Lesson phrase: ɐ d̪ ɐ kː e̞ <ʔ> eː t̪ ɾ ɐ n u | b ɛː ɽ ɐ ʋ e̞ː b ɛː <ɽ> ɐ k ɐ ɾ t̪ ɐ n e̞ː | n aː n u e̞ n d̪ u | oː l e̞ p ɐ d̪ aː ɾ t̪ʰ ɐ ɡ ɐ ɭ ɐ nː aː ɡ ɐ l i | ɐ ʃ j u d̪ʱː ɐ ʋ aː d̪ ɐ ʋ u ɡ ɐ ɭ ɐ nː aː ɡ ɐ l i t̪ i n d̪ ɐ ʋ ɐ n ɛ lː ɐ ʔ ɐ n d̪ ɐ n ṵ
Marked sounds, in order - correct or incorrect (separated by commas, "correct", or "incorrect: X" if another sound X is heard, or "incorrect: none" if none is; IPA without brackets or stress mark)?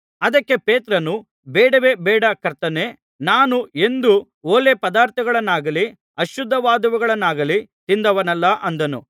incorrect: p, correct